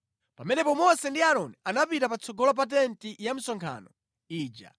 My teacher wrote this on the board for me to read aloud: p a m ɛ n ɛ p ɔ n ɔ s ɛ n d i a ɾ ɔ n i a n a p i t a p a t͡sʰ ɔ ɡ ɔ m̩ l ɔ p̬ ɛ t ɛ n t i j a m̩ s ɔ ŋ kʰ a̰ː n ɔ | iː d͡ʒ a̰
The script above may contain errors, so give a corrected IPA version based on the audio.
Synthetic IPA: p a m ɛ n ɛ p ɔ m ɔ s ɛ n d i a ɾ ɔ n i a n a p i t a p a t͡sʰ ɔ ɡ ɔ l ɔ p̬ a t ɛ n t i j a m̩ s ɔ ŋ kʰ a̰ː n ɔ | iː d͡ʒ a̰